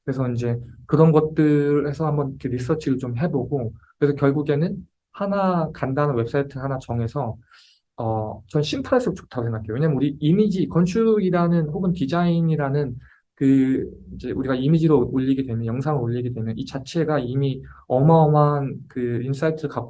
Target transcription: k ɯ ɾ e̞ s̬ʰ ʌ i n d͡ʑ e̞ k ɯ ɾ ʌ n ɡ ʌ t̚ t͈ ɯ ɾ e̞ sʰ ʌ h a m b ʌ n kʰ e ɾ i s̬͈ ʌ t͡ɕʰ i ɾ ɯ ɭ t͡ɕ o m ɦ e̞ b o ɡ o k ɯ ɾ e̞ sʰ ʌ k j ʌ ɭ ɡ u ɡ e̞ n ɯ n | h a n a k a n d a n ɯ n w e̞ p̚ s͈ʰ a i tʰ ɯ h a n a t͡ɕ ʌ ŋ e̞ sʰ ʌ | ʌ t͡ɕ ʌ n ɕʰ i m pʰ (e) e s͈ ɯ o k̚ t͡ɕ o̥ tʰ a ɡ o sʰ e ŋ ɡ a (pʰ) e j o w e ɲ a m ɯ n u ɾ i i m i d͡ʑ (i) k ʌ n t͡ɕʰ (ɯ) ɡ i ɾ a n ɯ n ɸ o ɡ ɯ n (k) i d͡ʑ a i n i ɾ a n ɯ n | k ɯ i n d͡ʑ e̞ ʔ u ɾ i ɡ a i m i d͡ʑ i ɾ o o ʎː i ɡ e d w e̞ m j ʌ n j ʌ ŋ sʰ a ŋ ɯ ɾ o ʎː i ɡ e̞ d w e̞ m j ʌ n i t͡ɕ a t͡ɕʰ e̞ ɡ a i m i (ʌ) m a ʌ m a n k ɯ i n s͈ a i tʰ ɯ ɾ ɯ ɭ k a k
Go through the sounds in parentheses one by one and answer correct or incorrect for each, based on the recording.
incorrect, incorrect, correct, incorrect, incorrect, correct

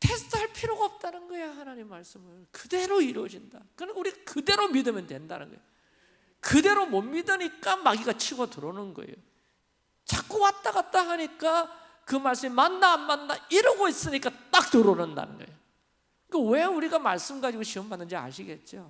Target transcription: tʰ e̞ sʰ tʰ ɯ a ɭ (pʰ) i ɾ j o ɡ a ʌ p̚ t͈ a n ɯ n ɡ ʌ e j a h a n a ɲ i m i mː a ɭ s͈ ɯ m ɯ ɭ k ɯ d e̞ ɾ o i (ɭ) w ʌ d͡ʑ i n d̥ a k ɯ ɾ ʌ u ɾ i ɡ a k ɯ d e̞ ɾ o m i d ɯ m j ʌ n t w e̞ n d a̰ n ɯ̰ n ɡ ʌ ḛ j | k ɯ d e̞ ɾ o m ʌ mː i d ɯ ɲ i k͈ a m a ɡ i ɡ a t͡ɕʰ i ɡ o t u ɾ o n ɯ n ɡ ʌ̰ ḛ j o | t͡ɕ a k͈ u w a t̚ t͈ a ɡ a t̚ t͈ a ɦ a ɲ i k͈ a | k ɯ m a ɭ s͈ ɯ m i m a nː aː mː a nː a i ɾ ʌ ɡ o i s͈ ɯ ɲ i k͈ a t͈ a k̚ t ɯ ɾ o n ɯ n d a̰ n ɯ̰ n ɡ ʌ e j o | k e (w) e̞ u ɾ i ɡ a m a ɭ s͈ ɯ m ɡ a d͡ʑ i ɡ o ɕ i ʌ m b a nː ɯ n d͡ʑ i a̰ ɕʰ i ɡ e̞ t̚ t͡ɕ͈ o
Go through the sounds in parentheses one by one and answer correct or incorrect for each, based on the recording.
correct, incorrect, correct

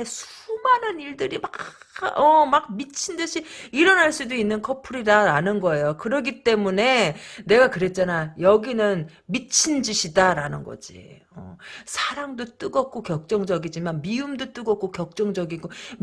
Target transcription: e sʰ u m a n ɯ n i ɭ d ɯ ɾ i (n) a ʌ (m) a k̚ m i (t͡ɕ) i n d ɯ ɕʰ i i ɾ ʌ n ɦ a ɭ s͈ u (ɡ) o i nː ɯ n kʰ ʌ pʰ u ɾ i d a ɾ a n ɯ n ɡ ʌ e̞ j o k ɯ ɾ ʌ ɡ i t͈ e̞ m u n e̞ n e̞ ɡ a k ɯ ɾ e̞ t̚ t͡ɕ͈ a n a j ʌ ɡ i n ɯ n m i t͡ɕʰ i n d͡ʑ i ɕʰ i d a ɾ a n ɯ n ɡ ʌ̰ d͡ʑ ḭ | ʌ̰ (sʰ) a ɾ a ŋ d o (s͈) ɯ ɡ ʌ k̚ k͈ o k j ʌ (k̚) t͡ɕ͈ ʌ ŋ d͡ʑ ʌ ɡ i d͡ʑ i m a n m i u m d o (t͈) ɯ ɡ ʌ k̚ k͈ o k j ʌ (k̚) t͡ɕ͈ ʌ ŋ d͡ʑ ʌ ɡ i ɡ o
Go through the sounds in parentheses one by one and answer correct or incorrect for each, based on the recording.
incorrect, correct, incorrect, incorrect, correct, incorrect, correct, correct, correct

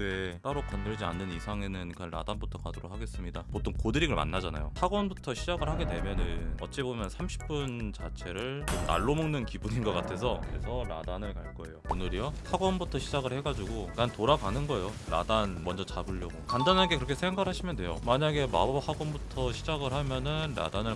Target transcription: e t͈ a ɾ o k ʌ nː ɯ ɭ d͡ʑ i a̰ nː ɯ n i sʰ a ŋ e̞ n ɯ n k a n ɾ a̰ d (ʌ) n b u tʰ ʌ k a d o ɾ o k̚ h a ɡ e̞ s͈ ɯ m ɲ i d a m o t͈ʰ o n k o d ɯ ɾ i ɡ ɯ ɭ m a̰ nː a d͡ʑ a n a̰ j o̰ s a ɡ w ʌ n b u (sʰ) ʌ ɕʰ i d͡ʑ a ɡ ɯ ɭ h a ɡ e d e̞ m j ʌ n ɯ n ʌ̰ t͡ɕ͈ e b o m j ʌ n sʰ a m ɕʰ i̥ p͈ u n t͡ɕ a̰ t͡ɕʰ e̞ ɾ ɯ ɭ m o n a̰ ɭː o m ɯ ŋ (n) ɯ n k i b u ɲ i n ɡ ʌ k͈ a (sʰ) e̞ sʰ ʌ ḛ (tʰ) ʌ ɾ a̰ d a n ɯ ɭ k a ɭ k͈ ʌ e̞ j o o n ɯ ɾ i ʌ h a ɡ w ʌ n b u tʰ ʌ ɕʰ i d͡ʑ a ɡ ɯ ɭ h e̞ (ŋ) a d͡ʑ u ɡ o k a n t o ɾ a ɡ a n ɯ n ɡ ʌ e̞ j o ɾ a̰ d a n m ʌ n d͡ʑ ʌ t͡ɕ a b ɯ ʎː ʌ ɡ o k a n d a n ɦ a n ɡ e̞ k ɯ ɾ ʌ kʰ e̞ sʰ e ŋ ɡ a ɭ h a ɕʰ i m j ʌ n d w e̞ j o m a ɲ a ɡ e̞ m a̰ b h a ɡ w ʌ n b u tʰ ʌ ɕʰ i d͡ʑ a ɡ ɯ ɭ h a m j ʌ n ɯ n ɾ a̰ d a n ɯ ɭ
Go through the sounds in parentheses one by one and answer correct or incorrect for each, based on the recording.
incorrect, incorrect, correct, incorrect, incorrect, incorrect

